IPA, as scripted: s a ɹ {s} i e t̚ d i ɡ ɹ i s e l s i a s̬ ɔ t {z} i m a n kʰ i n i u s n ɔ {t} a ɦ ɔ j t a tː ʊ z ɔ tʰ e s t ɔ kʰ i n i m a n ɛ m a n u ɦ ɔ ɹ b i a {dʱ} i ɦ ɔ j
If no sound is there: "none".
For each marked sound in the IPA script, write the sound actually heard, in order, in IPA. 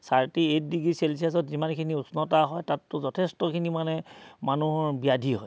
t, z, t, dʱ

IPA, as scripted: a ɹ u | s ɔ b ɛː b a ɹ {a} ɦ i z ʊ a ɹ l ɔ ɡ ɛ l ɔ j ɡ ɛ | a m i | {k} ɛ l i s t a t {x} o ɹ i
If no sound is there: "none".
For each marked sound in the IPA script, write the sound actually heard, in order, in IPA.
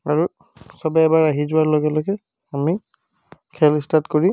a, kʰ, k

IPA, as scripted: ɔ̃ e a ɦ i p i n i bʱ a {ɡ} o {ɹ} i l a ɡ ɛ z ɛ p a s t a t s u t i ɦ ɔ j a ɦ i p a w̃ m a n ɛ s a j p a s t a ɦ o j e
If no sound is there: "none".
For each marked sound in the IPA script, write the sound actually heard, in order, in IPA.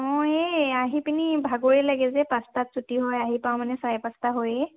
ɡ, ɹ

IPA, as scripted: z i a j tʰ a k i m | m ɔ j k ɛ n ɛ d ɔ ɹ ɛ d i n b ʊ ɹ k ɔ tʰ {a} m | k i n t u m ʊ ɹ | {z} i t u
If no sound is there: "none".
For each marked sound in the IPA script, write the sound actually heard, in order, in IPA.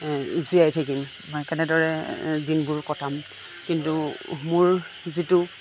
a, z

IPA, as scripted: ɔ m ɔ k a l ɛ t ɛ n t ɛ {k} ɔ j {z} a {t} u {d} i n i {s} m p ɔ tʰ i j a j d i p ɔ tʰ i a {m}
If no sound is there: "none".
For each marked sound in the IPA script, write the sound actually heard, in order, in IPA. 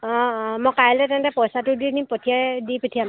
p, s, t, d, none, m

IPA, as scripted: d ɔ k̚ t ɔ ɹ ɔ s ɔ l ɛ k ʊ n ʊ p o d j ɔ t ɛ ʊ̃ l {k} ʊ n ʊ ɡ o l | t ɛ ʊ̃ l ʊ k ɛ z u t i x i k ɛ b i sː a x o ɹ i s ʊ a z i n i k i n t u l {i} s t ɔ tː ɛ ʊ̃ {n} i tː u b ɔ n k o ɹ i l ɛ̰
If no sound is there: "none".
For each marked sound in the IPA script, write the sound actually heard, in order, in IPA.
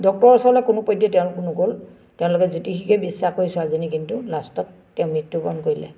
k, a, m

